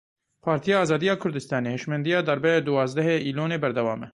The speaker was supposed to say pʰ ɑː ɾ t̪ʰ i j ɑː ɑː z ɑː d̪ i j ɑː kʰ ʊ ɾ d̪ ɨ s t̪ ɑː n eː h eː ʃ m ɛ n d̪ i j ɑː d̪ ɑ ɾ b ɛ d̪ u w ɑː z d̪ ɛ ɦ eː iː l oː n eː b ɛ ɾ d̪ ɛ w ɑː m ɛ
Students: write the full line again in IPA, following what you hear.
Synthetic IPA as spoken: pʰ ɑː ɾ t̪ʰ i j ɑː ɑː z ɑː d̪ i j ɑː kʰ ʊ ɾ d̪ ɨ s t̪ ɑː n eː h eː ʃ m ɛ n d̪ i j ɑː d̪ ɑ ɾ b ɛ d̪ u w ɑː z d̪ ɛ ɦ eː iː l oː n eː b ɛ ɾ d̪ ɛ w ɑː m ɛ